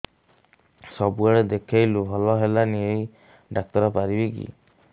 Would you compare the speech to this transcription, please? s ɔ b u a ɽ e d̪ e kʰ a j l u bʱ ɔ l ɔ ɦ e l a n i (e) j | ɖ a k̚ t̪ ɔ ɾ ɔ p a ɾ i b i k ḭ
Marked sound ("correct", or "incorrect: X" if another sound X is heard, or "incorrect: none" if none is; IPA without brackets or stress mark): correct